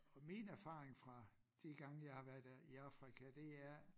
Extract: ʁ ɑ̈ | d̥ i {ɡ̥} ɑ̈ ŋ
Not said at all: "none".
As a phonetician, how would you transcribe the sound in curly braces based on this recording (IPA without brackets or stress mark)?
ɡ̥